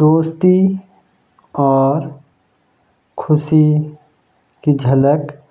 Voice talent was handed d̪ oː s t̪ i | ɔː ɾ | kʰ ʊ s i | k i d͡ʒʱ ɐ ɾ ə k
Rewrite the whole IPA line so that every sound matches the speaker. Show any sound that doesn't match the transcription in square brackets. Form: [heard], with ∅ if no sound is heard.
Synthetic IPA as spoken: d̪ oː s t̪ i | ɔː ɾ | kʰ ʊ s i | k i d͡ʒʱ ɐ [l] ə k